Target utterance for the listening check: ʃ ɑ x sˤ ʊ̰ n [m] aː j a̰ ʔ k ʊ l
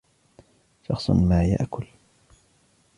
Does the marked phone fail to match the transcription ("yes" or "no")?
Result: no